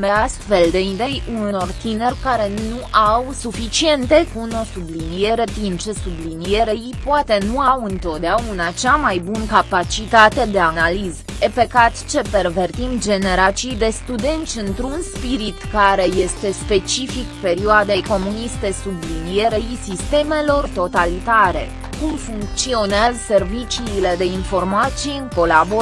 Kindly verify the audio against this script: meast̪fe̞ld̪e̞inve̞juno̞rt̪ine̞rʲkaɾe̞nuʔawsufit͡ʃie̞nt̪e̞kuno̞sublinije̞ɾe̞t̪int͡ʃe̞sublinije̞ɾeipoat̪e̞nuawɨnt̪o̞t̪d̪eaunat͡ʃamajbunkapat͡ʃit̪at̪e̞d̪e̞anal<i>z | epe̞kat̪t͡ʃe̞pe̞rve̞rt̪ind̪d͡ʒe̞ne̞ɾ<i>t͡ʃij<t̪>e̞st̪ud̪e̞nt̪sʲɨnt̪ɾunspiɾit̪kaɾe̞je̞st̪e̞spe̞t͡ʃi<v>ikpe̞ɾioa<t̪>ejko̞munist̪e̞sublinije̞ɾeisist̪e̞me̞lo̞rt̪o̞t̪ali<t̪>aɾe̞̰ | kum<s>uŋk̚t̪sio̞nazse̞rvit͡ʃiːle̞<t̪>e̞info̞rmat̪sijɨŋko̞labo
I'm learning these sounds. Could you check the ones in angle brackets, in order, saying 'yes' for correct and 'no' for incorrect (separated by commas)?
yes, no, no, no, no, yes, no, no